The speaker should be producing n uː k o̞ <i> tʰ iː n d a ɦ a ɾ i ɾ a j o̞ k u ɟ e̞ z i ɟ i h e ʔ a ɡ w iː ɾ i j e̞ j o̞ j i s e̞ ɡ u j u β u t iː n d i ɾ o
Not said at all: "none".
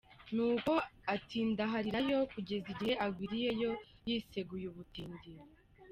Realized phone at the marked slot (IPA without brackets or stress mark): a